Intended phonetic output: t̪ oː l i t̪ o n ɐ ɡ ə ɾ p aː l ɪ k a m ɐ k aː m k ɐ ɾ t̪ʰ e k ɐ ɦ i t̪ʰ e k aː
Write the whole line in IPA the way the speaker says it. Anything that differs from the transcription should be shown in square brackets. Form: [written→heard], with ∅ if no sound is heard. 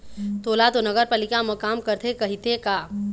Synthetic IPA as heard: t̪ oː l [i→a] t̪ o n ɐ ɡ ə ɾ p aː l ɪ k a m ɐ k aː m k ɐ ɾ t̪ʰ e k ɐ ɦ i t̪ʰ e k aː